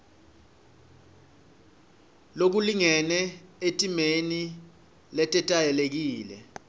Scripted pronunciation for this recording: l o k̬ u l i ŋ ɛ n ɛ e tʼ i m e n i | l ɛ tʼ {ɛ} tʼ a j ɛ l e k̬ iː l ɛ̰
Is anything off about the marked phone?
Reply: no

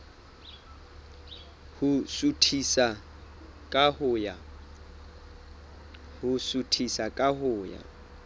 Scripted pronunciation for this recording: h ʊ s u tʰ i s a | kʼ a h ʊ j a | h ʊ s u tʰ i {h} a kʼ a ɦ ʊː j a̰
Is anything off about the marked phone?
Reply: yes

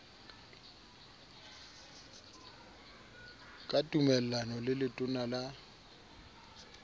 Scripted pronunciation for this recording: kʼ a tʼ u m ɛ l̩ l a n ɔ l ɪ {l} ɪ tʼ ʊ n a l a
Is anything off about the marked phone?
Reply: no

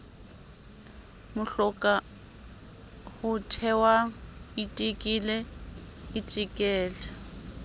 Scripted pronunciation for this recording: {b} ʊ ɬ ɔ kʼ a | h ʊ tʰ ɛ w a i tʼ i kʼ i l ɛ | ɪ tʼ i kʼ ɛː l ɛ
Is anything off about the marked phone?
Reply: yes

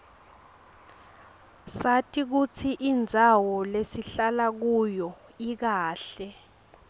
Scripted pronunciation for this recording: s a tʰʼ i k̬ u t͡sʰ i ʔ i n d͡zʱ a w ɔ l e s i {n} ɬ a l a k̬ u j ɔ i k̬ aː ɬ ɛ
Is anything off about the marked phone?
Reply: yes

